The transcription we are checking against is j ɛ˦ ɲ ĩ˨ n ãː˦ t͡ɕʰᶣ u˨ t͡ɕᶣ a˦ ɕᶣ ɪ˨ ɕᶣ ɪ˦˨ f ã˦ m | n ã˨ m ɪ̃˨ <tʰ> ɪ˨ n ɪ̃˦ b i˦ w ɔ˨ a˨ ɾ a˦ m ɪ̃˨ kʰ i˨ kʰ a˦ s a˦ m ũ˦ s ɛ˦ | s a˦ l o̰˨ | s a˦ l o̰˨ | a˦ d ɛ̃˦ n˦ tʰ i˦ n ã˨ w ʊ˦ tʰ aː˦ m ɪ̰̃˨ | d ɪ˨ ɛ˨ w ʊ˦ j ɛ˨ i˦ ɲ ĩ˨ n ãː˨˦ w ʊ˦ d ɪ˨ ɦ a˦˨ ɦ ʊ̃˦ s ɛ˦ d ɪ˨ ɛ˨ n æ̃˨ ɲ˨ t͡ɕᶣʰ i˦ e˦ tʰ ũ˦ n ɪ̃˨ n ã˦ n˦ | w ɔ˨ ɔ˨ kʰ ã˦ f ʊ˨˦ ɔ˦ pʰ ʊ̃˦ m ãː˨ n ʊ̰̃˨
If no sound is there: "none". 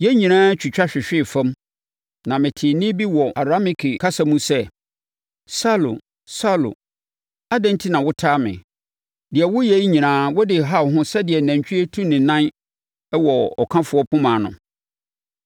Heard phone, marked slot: tʰ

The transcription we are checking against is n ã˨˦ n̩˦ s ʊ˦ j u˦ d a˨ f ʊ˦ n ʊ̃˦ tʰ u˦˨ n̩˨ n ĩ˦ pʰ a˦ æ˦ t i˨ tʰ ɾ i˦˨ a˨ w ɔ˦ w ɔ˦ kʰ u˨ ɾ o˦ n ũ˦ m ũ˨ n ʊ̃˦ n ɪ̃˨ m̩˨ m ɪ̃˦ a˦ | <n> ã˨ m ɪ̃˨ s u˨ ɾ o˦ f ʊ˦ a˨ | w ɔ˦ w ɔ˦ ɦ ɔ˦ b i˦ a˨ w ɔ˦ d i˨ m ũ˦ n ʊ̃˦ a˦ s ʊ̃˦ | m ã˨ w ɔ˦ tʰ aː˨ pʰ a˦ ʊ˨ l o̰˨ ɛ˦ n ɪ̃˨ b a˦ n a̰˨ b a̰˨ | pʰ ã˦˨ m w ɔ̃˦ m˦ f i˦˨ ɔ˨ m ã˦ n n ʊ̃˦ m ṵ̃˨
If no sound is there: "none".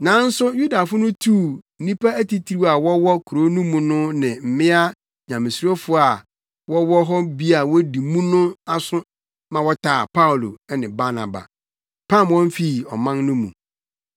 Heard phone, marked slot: ɲ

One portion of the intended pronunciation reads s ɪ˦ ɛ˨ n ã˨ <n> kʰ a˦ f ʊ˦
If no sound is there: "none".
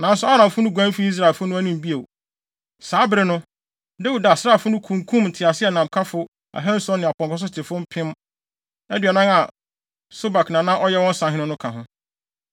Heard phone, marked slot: m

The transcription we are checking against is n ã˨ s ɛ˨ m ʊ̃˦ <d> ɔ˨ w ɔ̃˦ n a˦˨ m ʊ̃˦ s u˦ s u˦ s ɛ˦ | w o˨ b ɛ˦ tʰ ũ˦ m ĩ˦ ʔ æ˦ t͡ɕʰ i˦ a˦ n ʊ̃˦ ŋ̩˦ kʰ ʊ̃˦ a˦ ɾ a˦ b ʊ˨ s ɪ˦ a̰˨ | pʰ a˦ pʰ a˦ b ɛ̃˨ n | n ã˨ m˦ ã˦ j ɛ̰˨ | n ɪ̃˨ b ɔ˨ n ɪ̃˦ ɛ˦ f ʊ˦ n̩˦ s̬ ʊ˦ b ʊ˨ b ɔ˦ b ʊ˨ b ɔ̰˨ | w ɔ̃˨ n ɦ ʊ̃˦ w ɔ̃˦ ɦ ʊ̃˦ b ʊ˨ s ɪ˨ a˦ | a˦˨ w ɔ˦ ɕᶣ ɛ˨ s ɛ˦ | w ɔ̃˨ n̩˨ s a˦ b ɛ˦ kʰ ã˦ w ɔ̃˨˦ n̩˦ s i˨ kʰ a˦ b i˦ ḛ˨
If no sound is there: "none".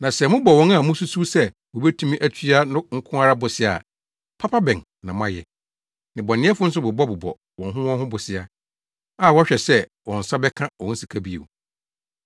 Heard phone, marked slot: b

